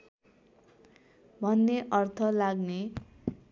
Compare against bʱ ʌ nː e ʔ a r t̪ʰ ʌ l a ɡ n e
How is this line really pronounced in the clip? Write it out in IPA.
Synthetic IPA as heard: bʱ ʌ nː e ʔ ʌ r t̪ʰ ʌ l a ɡ n e